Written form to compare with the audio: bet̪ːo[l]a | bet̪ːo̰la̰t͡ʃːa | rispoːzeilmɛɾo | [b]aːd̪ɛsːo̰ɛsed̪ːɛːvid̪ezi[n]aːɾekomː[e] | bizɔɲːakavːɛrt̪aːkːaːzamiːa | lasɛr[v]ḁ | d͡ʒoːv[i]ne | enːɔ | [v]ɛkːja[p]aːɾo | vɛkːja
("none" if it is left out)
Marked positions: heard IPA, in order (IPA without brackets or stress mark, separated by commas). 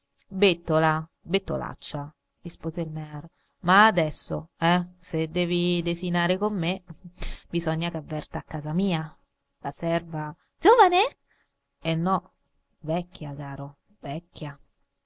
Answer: l, m, n, e, v, a, v, k